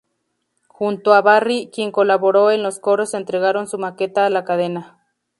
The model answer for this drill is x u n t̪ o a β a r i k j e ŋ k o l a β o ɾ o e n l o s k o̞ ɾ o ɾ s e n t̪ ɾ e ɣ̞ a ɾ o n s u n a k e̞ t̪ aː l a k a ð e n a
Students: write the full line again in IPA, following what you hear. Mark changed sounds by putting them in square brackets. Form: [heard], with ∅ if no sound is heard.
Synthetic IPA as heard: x u n t̪ o a β a r i k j e ŋ k o l a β o ɾ o e n l o s k o̞ ɾ o [∅] s e n t̪ ɾ e ɣ̞ a ɾ o n s u [m] a k e̞ t̪ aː l a k a ð e n a